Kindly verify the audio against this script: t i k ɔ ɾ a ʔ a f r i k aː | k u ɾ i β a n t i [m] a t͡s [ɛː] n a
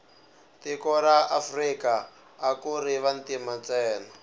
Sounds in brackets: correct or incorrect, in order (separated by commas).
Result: correct, correct